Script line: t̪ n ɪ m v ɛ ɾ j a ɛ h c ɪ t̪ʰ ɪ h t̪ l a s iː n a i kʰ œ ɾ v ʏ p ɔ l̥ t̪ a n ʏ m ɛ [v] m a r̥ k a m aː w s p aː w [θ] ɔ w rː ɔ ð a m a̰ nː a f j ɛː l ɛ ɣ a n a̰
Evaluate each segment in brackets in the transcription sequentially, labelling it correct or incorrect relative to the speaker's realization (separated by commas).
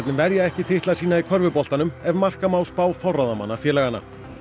correct, incorrect